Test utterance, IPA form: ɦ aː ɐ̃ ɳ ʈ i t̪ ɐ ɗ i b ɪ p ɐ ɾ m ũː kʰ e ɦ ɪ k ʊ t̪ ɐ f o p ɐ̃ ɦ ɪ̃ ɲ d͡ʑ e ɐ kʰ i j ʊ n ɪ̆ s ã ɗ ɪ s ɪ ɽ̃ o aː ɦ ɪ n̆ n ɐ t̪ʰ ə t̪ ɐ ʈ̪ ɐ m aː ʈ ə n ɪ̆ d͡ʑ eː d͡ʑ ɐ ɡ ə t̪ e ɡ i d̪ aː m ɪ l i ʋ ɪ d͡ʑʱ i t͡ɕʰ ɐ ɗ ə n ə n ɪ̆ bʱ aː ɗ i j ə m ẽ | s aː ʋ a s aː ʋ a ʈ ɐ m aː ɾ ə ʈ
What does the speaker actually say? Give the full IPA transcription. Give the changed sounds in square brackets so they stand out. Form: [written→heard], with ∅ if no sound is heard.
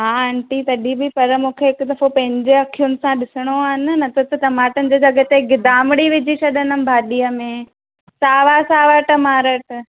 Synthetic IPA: ɦ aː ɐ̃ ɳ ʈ i t̪ ɐ ɗ i b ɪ p ɐ ɾ m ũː kʰ e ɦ ɪ k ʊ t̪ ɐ f o p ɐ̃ ɦ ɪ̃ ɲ d͡ʑ e ɐ kʰ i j ʊ n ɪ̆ s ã ɗ ɪ s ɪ ɽ̃ o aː ɦ ɪ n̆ n ɐ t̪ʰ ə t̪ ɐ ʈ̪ ɐ m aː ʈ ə n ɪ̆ d͡ʑ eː d͡ʑ ɐ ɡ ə t̪ e ɡ [i→ɪ] d̪ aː m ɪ [l→ɽ] i ʋ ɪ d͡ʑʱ i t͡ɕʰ ɐ ɗ ə n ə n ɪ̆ bʱ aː ɗ i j ə m ẽ | s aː ʋ a s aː ʋ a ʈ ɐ m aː ɾ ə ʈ